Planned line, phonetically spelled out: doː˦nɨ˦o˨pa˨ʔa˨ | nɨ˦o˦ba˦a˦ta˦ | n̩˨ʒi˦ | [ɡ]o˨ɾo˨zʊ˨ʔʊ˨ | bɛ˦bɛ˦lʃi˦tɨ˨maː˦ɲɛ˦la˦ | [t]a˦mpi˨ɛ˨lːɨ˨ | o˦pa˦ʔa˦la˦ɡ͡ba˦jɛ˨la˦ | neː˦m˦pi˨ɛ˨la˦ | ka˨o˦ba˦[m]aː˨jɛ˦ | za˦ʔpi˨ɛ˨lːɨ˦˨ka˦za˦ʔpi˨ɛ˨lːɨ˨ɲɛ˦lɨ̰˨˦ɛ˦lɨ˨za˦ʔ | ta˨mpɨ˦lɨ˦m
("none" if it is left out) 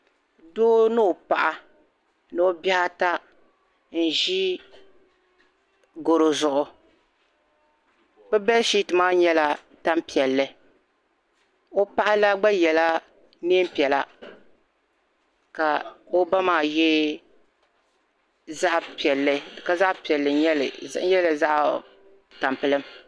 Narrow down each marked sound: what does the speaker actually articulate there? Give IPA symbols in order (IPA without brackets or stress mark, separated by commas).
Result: ɡ, t, m